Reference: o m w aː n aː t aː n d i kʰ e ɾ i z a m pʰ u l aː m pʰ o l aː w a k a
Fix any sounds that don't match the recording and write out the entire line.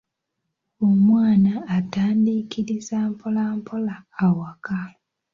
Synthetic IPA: o m w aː n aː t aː n d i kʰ i ɾ i z a m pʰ o l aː m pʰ o l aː w a k a